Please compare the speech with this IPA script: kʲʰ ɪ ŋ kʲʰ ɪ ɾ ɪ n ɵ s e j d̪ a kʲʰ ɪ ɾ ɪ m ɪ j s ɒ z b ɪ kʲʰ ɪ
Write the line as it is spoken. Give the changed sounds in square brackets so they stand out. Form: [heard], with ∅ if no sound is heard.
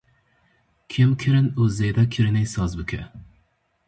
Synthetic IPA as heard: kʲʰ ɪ [m] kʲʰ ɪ ɾ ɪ n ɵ [z] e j d̪ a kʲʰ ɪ ɾ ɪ [n] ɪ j s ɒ z b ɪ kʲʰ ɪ